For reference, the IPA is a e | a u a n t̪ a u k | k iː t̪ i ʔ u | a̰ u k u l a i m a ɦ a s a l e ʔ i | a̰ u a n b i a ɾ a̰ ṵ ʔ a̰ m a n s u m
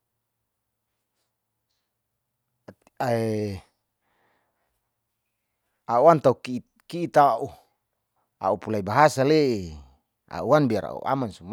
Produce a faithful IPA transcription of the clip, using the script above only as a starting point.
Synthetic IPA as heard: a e | a u a n t̪ a u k | k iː t̪ a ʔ u | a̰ u p u l a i b a ɦ a s a l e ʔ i | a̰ u a n b i a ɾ a̰ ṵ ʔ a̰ m a n s u m